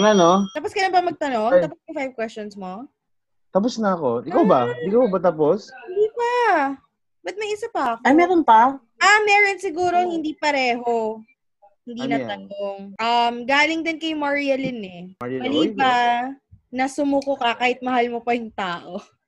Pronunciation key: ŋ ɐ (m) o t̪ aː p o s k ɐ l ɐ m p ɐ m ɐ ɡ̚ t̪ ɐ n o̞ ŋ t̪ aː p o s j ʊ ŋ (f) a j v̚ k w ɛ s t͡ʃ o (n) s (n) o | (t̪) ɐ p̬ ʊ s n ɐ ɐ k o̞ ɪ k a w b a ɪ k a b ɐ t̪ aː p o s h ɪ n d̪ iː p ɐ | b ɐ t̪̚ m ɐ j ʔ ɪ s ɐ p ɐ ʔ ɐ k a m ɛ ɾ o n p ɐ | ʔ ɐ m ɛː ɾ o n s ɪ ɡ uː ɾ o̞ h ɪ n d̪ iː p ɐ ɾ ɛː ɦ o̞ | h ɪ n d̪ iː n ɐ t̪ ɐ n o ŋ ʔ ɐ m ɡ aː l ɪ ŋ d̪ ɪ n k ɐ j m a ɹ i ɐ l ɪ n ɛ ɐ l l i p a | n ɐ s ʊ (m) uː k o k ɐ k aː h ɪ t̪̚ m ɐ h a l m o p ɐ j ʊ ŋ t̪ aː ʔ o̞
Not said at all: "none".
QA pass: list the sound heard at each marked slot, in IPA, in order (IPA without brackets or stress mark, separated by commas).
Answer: n, f, n, m, t̪, m